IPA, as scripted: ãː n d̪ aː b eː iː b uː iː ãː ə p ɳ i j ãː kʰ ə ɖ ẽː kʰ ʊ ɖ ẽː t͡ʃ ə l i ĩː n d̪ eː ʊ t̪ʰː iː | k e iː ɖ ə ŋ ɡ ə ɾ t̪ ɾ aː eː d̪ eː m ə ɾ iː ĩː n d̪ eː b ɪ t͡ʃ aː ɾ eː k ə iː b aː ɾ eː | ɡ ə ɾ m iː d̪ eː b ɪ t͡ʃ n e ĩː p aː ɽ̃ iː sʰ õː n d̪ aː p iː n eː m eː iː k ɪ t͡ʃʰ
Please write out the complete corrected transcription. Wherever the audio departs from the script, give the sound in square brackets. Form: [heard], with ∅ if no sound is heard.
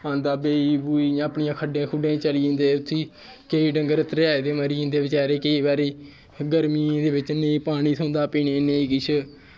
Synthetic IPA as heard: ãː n d̪ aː b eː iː b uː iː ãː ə p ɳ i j ãː kʰ ə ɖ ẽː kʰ ʊ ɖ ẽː t͡ʃ ə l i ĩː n d̪ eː ʊ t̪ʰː iː | k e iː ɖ ə ŋ ɡ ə ɾ t̪ ɾ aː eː d̪ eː m ə ɾ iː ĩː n d̪ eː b ɪ t͡ʃ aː ɾ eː k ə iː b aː ɾ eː | ɡ ə ɾ m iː d̪ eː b ɪ t͡ʃ n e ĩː p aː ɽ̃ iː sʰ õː n d̪ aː p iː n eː [n] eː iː k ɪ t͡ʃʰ